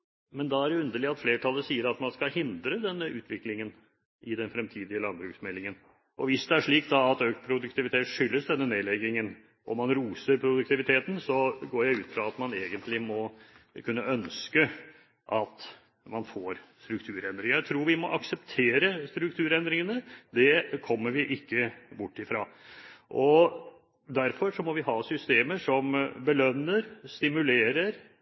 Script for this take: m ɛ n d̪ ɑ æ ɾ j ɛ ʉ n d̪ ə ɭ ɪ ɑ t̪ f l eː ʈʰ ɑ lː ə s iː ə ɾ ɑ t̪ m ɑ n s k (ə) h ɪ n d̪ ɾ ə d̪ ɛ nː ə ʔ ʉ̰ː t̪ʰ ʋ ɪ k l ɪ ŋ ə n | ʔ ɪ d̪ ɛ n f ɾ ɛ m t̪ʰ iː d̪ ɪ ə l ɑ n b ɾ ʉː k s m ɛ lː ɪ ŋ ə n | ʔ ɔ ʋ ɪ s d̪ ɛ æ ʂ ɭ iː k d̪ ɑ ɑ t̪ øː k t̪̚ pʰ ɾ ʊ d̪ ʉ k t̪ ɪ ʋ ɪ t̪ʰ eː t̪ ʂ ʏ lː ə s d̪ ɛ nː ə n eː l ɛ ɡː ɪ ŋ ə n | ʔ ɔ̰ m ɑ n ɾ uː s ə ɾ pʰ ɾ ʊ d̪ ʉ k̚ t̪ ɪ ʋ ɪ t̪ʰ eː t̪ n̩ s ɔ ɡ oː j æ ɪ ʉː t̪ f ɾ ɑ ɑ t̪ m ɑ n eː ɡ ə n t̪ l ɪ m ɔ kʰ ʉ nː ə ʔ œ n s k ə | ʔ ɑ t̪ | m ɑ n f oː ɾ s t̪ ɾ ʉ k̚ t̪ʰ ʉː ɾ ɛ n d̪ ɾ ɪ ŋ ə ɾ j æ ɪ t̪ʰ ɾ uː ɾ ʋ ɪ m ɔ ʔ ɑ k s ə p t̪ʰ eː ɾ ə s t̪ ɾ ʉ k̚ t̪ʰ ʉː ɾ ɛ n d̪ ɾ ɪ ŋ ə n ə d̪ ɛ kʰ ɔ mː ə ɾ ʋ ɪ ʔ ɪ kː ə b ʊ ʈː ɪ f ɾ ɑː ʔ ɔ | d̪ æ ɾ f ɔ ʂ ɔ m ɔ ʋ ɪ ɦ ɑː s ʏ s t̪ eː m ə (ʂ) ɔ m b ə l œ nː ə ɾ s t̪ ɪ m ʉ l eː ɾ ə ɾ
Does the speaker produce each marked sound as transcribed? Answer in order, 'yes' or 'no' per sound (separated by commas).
no, yes